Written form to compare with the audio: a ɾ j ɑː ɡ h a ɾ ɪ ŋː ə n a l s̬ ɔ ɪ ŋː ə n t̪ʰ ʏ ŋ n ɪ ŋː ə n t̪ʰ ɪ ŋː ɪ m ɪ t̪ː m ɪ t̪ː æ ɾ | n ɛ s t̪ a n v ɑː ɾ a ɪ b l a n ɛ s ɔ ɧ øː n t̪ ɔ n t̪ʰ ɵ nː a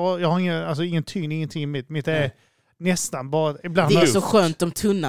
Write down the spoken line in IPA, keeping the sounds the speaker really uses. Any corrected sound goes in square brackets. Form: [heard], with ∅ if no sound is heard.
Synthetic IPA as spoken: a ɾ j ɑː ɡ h a ɾ ɪ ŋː ə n a l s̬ ɔ ɪ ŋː ə n t̪ʰ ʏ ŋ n ɪ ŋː ə n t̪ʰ ɪ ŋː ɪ m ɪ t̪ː m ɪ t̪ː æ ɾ | n ɛ s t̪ a n [b] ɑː ɾ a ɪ b l a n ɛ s ɔ ɧ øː n t̪ ɔ [m] t̪ʰ ɵ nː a